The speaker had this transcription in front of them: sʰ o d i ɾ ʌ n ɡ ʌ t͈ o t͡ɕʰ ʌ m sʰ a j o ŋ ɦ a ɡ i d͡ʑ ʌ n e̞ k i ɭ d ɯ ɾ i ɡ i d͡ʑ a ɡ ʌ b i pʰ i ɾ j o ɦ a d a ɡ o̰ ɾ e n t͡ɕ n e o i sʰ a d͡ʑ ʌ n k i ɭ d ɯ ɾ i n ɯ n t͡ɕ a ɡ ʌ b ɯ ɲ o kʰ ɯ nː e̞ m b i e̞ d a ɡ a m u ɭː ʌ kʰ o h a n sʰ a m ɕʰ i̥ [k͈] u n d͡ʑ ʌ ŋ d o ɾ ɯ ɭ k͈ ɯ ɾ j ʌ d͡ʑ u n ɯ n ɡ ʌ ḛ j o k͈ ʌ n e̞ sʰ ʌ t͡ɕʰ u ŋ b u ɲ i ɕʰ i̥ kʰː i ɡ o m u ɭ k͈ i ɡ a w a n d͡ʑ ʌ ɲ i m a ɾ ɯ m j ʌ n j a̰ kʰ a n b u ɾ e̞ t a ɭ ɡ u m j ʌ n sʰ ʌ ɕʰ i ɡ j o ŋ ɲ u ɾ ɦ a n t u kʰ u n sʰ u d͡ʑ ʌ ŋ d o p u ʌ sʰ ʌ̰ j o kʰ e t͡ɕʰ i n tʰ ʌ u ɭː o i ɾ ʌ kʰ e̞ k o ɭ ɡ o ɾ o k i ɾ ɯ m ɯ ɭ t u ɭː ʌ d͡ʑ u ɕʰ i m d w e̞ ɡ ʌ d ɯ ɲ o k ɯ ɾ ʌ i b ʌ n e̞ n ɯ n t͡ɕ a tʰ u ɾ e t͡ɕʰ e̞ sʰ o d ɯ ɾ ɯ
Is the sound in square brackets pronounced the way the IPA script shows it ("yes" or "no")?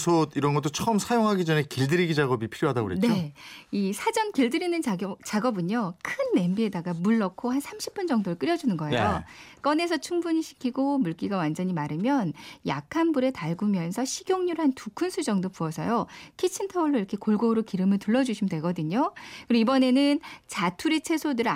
no